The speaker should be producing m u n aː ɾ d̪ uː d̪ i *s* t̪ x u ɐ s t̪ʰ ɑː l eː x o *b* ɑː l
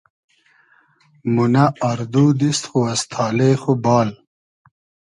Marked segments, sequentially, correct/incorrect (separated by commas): correct, correct